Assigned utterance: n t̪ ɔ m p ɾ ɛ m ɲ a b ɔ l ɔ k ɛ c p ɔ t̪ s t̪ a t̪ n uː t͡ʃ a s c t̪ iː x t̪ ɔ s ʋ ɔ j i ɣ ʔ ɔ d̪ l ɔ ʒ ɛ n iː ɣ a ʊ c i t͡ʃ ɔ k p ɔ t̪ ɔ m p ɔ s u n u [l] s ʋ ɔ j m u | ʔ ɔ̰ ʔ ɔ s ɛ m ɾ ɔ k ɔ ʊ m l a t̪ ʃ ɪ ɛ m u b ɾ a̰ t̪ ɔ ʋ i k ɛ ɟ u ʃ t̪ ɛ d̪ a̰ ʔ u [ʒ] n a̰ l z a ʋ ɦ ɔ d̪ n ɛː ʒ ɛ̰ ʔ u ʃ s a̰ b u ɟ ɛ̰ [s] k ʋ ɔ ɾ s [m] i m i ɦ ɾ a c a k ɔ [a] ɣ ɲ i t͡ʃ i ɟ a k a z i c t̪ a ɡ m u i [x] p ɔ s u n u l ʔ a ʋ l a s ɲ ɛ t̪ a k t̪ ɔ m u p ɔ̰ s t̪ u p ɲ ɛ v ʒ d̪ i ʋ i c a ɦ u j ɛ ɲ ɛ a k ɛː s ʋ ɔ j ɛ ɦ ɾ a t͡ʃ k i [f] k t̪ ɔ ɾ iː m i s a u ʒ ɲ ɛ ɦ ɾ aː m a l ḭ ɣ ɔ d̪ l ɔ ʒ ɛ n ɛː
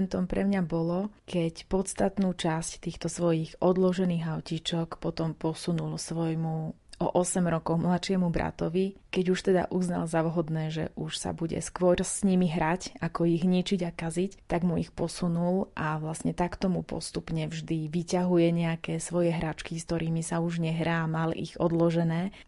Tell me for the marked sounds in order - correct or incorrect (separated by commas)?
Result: correct, incorrect, correct, incorrect, incorrect, correct, incorrect